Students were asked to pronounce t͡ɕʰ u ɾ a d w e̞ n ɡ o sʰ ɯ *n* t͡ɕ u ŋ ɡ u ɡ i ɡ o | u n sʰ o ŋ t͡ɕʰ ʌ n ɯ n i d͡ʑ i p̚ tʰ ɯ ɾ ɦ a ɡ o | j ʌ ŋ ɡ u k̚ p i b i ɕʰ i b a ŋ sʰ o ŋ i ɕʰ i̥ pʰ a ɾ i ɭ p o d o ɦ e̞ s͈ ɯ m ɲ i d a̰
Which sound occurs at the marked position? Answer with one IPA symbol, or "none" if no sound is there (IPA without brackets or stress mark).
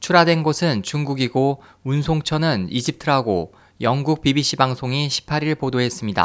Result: n